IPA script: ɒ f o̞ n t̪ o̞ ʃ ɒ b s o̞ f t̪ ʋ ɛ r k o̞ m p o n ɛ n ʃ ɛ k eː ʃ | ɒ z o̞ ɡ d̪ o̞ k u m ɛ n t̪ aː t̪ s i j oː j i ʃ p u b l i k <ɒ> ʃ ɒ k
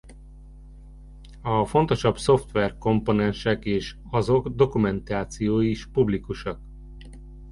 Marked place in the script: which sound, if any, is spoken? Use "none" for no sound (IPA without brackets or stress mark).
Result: u